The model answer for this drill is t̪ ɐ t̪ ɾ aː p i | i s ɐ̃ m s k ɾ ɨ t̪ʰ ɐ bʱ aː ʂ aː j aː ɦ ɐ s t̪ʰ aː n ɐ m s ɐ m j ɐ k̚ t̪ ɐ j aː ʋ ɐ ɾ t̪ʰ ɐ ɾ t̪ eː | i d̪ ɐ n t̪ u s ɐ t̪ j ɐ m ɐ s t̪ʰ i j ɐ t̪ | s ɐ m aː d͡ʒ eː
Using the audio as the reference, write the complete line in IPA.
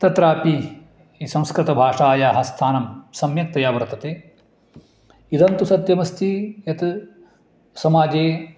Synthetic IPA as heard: t̪ ɐ t̪ ɾ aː p i | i s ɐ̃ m s k ɾ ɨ t̪ ɐ bʱ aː ʂ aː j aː ɦ ɐ s t̪ʰ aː n ɐ m s ɐ m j ɐ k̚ t̪ ɐ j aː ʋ ɐ ɾ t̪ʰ ɐ t̪ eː | i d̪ ɐ n t̪ u s ɐ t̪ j ɐ m ɐ s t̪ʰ i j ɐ t̪ | s ɐ m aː d͡ʒ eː